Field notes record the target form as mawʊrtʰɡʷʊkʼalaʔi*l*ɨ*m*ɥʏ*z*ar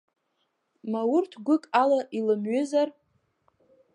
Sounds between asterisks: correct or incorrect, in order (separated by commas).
correct, correct, correct